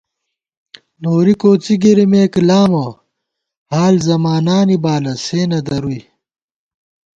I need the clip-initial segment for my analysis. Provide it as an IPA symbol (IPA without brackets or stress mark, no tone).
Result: n